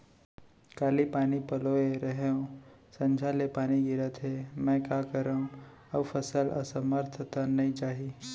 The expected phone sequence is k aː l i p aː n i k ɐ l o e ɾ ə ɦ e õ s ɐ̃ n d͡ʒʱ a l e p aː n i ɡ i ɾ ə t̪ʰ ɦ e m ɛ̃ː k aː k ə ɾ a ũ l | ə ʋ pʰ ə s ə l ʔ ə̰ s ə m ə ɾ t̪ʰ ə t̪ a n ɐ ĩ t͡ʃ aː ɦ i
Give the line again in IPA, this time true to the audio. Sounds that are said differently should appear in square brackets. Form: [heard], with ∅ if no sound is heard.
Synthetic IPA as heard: k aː l i p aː n i [p] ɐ l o e ɾ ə ɦ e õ s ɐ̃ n d͡ʒʱ a l e p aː n i ɡ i ɾ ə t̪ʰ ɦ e m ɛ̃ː k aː k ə ɾ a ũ [∅] | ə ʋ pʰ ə s ə l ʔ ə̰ s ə m ə ɾ t̪ʰ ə t̪ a n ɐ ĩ t͡ʃ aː ɦ i